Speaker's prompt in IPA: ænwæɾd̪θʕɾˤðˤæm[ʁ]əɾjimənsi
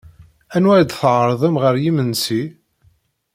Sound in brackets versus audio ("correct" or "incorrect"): correct